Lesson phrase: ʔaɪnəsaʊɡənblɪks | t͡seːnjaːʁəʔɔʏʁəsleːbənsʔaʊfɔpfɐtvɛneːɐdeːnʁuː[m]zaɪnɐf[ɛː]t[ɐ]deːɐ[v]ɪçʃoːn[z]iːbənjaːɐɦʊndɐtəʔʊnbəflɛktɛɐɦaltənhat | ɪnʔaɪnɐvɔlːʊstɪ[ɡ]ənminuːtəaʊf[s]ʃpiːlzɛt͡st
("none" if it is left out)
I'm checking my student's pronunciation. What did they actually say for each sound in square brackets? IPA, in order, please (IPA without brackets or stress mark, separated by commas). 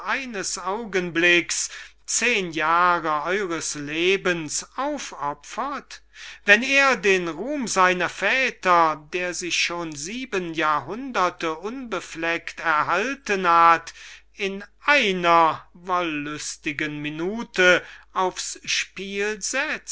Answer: m, ɛː, ɐ, z, z, ɡ, s